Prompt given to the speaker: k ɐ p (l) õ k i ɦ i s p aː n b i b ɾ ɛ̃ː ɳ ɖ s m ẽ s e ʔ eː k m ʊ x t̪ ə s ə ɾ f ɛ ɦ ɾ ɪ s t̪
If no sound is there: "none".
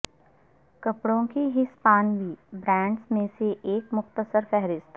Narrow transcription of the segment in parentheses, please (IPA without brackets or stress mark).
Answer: ɽ